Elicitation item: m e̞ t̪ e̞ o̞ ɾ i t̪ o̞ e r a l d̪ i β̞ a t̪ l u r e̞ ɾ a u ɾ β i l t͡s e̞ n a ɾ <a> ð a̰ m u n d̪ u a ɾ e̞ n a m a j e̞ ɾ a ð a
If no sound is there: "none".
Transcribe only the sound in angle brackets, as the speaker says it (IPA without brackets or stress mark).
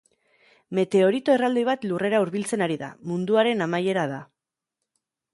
i